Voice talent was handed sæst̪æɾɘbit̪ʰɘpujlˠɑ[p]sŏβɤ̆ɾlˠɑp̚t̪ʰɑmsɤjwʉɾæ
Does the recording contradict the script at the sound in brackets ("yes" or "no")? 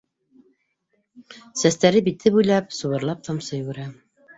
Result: no